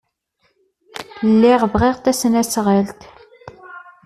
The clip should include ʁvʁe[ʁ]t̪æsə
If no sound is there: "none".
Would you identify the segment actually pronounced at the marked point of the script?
ʁ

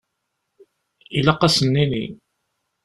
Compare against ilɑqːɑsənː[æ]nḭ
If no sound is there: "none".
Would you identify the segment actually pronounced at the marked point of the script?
i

